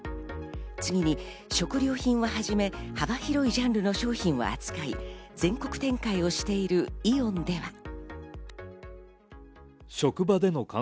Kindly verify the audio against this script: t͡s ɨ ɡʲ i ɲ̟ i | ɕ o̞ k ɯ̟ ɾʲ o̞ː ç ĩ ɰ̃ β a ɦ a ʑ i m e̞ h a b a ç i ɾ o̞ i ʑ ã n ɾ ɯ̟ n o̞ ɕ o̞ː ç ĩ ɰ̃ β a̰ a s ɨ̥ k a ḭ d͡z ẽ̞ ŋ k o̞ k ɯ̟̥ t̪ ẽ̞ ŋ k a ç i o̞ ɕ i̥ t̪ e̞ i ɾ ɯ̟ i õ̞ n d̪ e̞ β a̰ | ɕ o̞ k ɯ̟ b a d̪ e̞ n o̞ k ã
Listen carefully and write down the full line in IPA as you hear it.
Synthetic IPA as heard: t͡s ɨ ɡʲ i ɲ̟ i | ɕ o̞ k ɯ̟ ɾʲ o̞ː ç ĩ ɰ̃ β a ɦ a ʑ i m e̞ h a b a ç i ɾ o̞ i ʑ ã n ɾ ɯ̟ n o̞ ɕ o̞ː ç ĩ ɰ̃ β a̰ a t͡s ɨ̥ k a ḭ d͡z ẽ̞ ŋ k o̞ k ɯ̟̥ t̪ ẽ̞ ŋ k a i o̞ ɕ i̥ t̪ e̞ i ɾ ɯ̟ i õ̞ n d̪ e̞ β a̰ | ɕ o̞ k ɯ̟ b a d̪ e̞ n o̞ k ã